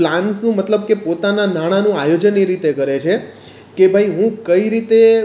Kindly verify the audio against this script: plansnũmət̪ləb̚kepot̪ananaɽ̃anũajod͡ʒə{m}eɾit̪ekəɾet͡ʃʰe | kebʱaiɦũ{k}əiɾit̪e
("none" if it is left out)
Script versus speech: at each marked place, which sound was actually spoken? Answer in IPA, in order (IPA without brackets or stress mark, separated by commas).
n, k